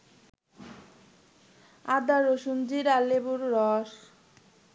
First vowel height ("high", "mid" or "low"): low